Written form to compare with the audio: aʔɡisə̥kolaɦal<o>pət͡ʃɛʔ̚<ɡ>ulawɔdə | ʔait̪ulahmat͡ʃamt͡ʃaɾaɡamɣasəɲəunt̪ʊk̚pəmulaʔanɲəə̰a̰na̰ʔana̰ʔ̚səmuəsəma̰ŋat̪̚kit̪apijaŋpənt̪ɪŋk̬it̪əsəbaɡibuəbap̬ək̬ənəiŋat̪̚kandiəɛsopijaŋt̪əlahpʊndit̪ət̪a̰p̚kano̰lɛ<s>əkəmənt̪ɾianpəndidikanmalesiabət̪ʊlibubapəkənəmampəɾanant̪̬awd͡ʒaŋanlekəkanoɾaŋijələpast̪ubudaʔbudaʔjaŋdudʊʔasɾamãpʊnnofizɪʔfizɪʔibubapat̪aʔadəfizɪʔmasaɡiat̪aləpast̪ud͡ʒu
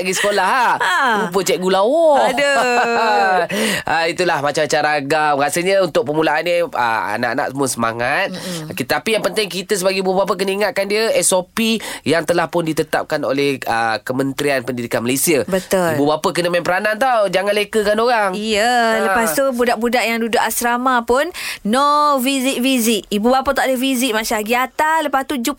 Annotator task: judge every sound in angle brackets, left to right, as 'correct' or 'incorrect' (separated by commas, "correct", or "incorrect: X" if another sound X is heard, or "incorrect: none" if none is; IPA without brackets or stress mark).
incorrect: u, correct, incorrect: h